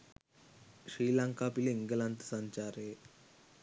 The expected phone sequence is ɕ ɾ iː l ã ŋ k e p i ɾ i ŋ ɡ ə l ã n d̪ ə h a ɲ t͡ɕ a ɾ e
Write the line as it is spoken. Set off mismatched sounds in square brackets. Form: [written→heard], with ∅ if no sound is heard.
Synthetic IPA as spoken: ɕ ɾ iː l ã ŋ k [e→a] p i [ɾ→l] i ŋ ɡ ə l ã n [d̪→t̪] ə [h→s] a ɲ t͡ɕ a ɾ e